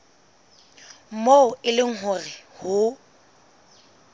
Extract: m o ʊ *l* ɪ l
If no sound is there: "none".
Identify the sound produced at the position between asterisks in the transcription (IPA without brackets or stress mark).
none